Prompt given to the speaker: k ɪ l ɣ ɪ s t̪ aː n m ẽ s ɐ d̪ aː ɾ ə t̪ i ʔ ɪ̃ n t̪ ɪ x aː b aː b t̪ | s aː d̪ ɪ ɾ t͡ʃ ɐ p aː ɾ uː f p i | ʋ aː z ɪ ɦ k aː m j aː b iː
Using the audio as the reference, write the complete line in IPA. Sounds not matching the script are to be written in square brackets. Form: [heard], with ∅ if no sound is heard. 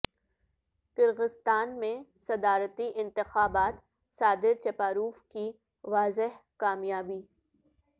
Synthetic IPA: k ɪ [ɾ] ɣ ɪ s t̪ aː n m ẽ s ɐ d̪ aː ɾ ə t̪ i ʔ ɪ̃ n t̪ ɪ x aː b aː [∅] t̪ | s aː d̪ ɪ ɾ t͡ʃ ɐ p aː ɾ uː f [k] i | ʋ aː z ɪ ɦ k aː m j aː b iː